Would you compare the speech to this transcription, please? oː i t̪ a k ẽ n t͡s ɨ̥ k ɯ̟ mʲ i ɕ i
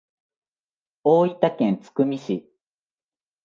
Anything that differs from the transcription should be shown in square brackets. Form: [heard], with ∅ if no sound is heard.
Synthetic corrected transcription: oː i t̪ a k ẽ n t͡s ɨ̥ k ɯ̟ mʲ i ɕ i